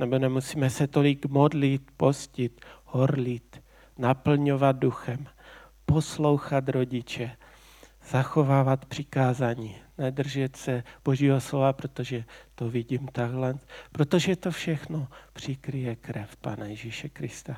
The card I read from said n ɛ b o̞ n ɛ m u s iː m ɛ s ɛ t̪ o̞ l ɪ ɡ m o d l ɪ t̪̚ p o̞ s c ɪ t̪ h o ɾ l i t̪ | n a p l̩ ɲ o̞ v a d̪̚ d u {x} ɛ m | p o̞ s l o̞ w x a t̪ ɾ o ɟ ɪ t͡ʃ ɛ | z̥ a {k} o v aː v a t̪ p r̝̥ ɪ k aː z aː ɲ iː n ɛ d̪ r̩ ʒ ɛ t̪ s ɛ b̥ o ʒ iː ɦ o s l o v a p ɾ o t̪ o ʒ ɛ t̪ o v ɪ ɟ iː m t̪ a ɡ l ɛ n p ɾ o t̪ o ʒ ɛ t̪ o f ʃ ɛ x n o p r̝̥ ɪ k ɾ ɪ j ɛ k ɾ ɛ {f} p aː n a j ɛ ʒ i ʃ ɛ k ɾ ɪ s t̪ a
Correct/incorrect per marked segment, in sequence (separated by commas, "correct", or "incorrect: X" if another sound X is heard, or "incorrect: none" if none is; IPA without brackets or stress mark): correct, incorrect: x, correct